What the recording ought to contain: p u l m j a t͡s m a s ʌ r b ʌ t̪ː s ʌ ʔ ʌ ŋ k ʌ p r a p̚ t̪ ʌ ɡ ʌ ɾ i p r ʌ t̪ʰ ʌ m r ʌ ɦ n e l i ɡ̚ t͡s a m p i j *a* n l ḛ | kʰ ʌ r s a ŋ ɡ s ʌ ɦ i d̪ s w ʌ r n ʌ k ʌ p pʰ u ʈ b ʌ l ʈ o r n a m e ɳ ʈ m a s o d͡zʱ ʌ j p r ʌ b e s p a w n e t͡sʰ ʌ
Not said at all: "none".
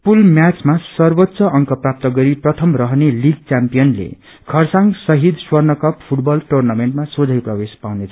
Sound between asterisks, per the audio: ʌ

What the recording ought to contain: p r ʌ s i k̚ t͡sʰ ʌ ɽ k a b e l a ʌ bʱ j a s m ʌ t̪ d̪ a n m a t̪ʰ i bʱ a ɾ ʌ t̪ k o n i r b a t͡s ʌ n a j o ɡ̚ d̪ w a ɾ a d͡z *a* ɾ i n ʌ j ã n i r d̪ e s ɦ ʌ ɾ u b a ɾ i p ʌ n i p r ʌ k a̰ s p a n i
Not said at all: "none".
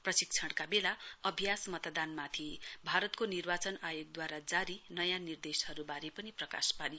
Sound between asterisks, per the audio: a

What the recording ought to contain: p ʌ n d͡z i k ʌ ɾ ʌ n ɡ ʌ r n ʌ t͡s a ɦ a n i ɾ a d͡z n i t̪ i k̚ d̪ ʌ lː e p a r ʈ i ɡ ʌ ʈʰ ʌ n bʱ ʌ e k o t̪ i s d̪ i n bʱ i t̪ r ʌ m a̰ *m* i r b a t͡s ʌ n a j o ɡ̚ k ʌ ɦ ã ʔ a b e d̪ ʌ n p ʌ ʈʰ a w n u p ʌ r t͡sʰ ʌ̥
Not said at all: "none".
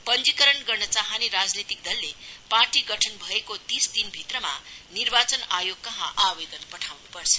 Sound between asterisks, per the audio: n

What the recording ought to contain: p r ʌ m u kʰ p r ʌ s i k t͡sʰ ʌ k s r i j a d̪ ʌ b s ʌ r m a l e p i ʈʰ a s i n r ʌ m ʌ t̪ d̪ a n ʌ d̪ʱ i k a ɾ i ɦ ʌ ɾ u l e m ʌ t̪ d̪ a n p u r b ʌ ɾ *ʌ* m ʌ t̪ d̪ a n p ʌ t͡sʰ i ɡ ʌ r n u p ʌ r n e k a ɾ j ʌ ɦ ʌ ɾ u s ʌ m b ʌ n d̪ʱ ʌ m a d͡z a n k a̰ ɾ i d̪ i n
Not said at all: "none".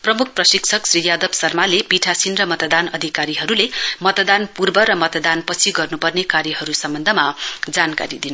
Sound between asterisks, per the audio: ʌ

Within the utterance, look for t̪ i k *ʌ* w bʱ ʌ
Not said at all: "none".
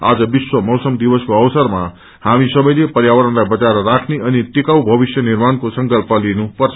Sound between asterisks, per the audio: a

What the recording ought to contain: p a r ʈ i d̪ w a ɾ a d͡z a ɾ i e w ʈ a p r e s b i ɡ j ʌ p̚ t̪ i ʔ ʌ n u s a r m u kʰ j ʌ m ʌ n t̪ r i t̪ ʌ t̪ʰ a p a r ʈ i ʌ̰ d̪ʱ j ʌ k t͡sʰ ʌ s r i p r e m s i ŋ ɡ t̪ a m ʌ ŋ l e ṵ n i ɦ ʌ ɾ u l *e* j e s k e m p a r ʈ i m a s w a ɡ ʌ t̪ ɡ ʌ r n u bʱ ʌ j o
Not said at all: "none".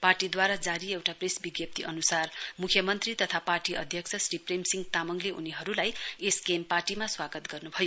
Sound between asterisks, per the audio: a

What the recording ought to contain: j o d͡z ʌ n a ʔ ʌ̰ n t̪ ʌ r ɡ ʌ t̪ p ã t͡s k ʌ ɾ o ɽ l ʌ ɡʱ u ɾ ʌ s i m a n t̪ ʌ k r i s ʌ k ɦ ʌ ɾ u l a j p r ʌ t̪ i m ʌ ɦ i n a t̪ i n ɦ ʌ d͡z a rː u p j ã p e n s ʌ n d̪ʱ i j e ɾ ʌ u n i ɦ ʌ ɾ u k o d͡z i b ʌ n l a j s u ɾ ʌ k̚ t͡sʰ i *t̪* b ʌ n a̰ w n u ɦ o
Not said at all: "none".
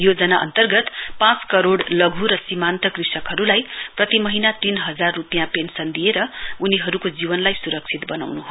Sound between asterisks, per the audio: t̪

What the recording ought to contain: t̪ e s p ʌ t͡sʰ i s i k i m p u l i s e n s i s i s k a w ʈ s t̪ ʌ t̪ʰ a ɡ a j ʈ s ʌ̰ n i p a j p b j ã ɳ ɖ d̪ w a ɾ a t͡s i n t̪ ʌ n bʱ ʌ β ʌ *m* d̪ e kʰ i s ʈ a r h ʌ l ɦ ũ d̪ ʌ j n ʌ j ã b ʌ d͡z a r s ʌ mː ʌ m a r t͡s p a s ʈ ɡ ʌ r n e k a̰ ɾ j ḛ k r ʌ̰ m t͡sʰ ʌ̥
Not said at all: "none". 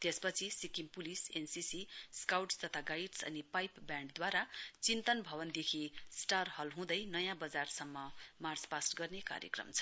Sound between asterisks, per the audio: n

